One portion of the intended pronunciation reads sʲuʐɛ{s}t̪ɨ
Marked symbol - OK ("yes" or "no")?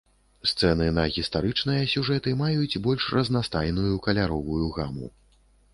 no